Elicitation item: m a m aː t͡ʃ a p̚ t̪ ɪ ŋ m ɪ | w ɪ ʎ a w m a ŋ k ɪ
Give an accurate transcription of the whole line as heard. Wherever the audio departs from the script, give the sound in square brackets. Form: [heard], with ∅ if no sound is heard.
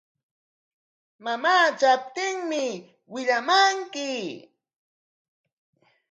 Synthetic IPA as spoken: m a m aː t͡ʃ a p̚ t̪ ɪ ŋ m ɪ | w ɪ ʎ a [∅] m a ŋ k ɪ